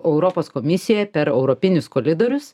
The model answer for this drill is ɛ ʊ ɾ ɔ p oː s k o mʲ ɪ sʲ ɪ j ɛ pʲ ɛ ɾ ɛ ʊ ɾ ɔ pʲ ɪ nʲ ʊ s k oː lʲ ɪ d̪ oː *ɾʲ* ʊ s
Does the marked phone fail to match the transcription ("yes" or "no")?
no